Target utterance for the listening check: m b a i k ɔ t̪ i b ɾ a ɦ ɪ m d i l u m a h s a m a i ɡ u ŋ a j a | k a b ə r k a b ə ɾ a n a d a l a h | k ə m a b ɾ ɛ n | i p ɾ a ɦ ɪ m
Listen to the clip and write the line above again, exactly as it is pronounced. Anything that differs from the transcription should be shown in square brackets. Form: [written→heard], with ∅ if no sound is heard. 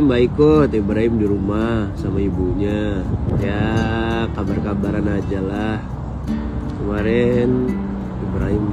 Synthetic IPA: m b a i k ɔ t̪ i b ɾ a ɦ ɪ m d i [l→ɾ] u m a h s a m a i [ɡ→b] u [ŋ→ɲ] a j a | k a b [ə→a] r k a b [ə→a] ɾ a n a [d→d͡ʒ] a l a h | k ə m a [b→∅] ɾ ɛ n | i [p→b] ɾ a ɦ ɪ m